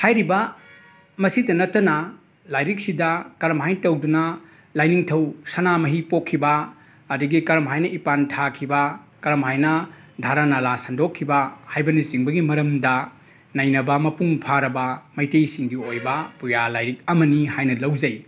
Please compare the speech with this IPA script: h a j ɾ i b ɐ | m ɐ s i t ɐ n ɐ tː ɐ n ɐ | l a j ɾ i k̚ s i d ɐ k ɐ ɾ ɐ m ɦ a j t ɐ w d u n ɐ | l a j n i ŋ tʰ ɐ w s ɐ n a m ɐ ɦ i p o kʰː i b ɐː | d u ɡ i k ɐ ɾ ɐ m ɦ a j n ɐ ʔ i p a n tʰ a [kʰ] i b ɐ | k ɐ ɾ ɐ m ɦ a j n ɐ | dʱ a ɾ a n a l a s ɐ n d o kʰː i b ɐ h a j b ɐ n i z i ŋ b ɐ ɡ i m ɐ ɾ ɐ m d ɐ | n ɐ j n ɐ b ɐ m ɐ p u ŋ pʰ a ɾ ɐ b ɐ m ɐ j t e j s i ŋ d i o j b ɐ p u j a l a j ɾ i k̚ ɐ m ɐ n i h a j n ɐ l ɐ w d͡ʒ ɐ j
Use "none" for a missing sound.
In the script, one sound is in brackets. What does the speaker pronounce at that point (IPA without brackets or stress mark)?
kʰ